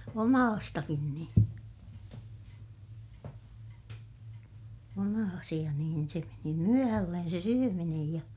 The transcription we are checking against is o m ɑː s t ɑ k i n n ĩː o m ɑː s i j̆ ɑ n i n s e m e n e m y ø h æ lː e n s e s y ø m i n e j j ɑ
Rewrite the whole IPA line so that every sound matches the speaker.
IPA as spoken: o m ɑː s t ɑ k i n n ĩː o m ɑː s i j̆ ɑ n iː n s e m e n i m y ø h æ lː e n s e s y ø m i n e j j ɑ